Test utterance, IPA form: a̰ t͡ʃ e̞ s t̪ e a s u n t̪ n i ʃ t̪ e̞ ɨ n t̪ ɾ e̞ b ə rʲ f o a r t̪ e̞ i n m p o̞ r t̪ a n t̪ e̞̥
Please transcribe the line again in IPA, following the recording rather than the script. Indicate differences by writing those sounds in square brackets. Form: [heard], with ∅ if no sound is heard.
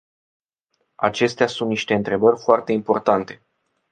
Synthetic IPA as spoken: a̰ t͡ʃ e̞ s t̪ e a s u n t̪ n i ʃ t̪ e̞ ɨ n t̪ ɾ e̞ b ə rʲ f o a r t̪ e̞ i [∅] m p o̞ r t̪ a n t̪ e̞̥